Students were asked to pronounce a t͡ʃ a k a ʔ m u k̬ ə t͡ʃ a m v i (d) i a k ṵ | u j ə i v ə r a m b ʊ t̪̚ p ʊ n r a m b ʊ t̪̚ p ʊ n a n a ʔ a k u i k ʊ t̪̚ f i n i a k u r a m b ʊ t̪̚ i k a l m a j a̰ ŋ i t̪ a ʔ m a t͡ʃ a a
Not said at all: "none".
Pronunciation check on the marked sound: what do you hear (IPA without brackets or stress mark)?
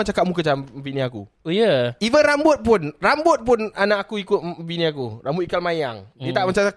n